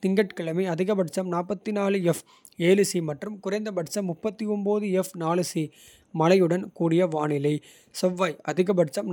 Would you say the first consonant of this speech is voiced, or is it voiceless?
voiceless